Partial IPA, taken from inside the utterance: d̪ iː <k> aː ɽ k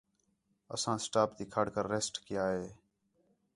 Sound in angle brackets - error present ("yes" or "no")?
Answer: yes